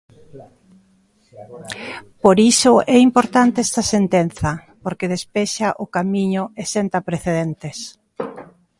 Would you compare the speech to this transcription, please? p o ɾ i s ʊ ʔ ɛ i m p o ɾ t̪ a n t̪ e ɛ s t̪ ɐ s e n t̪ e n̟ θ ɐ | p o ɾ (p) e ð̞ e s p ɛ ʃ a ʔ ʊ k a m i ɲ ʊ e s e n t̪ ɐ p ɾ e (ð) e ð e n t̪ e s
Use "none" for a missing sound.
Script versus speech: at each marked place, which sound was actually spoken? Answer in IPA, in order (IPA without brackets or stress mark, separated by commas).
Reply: k, θ